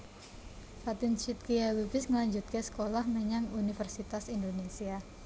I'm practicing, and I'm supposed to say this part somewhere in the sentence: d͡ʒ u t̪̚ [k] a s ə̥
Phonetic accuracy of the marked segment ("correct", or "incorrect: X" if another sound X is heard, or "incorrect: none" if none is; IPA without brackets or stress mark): correct